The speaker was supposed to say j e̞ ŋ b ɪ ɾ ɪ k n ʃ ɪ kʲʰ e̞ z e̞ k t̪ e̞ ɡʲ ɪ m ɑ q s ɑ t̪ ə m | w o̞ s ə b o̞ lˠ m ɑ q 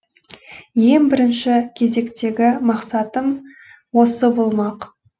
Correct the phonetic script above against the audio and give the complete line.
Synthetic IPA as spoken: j e̞ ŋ b ɪ ɾ ɪ n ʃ ɪ kʲʰ e̞ z e̞ k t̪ e̞ ɡʲ ɪ m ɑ q s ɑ t̪ ə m | w o̞ s ə b o̞ lˠ m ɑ q